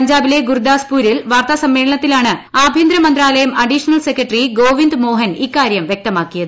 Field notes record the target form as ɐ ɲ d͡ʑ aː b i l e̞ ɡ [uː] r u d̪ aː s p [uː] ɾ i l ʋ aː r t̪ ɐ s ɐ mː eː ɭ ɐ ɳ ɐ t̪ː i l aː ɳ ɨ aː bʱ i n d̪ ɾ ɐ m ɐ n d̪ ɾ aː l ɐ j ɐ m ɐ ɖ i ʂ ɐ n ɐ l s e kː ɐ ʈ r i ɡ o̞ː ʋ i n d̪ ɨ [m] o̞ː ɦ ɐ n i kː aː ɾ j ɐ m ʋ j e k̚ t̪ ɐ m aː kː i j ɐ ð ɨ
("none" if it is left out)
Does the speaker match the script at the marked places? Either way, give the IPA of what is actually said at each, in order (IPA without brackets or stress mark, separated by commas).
u, uː, m